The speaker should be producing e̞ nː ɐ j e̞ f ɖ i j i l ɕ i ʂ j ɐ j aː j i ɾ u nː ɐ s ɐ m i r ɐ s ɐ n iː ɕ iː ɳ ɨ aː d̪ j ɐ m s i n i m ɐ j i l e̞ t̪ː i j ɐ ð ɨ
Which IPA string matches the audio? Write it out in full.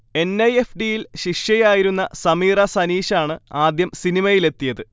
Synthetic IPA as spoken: e̞ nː ɐ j e̞ f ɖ i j i l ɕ i ʂ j ɐ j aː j i ɾ u nː ɐ s ɐ m iː r ɐ s ɐ n iː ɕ aː ɳ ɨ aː d̪ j ɐ m s i n i m ɐ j i l e̞ t̪ː i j ɐ ð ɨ